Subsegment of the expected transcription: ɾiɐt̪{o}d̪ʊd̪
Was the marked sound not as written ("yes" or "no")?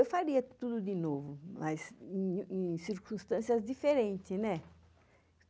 yes